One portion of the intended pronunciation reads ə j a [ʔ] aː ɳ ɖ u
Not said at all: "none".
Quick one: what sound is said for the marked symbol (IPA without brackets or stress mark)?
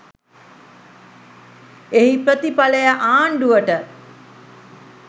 ʔ